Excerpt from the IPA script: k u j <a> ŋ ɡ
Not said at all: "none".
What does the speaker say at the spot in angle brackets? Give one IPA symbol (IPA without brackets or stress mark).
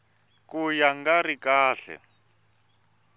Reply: a